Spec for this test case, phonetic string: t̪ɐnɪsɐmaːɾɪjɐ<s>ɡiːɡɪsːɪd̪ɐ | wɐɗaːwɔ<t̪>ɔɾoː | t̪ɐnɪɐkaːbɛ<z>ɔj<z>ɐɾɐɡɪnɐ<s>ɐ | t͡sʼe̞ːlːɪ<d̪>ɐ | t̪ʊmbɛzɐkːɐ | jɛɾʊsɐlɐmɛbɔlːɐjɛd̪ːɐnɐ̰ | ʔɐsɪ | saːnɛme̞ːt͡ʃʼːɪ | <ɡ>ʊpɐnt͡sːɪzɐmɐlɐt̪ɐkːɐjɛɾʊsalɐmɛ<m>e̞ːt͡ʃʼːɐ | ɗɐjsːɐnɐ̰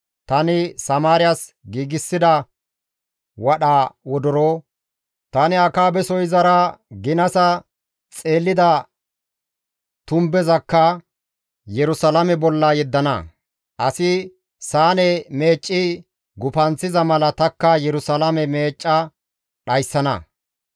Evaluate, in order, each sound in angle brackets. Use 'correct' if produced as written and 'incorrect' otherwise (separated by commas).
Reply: correct, incorrect, incorrect, correct, correct, correct, correct, correct